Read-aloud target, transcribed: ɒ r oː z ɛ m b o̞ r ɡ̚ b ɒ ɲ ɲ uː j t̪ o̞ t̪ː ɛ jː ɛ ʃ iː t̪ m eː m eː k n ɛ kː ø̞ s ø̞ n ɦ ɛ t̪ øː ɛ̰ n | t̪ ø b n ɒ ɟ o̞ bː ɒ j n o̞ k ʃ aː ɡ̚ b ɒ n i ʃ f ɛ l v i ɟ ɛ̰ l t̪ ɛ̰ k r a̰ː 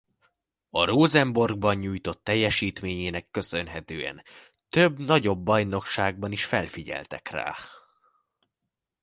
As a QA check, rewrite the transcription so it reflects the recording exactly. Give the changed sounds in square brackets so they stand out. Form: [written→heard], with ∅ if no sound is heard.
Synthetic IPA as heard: ɒ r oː z ɛ m b o̞ r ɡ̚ b ɒ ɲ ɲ uː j t̪ o̞ t̪ː ɛ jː ɛ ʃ iː t̪ m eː [m→ɲ] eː [k→∅] n ɛ kː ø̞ s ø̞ n ɦ ɛ t̪ øː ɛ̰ n | t̪ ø b n ɒ ɟ o̞ bː ɒ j n o̞ k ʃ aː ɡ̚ b ɒ n i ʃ f ɛ l [v→f] i ɟ ɛ̰ l t̪ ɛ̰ k r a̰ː